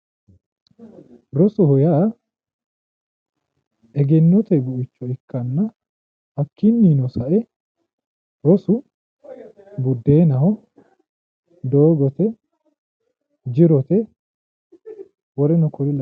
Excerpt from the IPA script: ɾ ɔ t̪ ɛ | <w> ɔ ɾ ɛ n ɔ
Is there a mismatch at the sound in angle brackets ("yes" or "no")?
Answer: no